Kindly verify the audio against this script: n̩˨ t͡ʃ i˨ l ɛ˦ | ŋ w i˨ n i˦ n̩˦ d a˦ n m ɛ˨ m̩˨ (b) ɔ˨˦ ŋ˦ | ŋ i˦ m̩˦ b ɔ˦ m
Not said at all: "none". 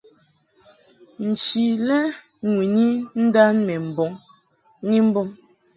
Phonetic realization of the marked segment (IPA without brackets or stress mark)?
b